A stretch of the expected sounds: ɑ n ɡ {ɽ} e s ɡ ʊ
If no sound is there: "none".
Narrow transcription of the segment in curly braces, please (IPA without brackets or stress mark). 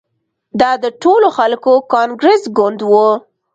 ɾ